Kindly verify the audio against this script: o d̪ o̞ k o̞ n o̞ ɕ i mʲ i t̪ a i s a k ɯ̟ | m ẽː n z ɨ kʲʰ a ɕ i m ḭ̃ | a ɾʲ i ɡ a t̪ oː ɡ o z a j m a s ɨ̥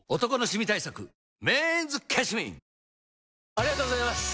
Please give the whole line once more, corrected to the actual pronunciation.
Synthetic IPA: o t̪ o̞ k o̞ n o̞ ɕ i mʲ i t̪ a i s a k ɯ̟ | m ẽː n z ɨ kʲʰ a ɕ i m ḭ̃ | a ɾʲ i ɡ a t̪ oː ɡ o z a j m a s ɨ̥